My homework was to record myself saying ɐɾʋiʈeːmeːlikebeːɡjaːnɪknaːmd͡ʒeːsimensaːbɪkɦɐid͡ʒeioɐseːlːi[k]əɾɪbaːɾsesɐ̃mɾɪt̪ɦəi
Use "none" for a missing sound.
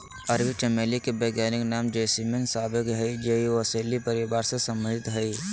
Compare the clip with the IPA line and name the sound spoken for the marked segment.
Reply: p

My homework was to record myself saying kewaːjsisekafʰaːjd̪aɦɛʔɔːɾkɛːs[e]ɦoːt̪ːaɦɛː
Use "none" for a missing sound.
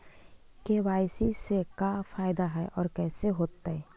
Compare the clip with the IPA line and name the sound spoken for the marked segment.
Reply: e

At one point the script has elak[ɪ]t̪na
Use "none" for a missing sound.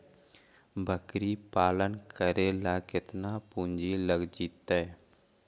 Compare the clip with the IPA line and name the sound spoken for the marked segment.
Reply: ɪ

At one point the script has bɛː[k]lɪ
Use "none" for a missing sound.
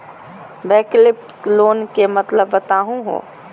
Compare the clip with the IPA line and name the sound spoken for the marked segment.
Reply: k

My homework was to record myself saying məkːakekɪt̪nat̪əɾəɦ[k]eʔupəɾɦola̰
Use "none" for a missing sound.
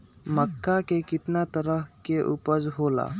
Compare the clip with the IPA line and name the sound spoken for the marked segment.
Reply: k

